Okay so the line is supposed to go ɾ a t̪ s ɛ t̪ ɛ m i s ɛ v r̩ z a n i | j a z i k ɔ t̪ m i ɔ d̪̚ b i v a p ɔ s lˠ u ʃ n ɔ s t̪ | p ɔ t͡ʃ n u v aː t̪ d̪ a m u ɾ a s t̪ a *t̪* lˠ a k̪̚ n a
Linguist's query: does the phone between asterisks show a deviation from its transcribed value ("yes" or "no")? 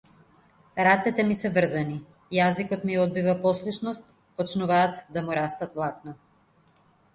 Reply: no